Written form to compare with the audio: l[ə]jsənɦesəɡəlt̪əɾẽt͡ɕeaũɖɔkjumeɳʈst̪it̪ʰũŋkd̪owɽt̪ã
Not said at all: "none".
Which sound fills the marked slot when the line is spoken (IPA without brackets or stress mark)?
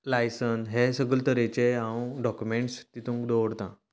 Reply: a